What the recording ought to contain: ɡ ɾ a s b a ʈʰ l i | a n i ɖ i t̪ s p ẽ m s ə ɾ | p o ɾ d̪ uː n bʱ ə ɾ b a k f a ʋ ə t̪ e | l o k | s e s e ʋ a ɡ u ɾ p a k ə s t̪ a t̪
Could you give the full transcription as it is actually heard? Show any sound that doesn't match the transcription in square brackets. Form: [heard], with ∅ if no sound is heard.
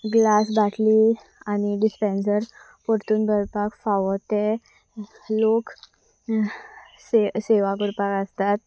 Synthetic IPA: ɡ [l] a s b a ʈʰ l i | a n i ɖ i [∅] s p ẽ [n] s ə ɾ | p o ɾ [t̪] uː n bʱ ə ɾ [p] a k f a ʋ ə t̪ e | l o k | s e s e ʋ a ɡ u ɾ p a k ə s t̪ a t̪